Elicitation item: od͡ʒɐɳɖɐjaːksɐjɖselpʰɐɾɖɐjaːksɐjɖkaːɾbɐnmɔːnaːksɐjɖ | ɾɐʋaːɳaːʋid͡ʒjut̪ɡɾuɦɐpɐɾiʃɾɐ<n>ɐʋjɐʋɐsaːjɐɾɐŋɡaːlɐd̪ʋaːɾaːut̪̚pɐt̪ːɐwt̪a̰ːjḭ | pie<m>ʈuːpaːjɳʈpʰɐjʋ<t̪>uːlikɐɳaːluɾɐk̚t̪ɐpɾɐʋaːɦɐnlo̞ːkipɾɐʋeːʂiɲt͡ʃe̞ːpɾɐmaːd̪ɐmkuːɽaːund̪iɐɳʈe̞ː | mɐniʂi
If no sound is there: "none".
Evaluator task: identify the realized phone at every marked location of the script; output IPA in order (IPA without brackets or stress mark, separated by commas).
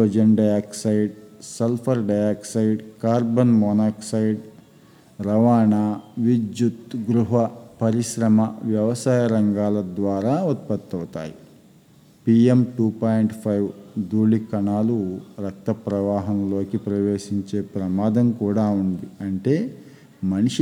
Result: m, m, d̪